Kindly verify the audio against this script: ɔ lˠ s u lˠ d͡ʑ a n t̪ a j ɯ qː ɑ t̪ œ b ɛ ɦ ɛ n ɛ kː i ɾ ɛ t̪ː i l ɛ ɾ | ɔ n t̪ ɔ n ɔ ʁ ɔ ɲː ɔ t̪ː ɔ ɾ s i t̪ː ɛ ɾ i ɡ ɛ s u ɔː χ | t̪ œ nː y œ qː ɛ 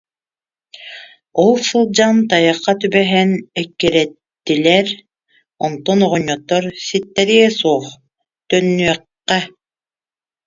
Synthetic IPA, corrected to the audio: ɔ lˠ s ɯ lˠ d͡ʑ a n t̪ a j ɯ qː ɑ t̪ y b ɛ ɦ ɛ n ɛ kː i ɾ ɛ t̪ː i l ɛ ɾ | ɔ n t̪ ɔ n ɔ ʁ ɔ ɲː ɔ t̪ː ɔ ɾ s i t̪ː ɛ ɾ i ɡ ɛ s u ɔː χ | t̪ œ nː y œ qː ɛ